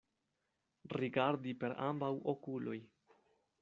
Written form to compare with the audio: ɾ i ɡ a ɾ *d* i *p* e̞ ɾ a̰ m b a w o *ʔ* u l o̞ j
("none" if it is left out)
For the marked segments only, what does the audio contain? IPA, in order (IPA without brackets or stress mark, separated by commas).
d, p, k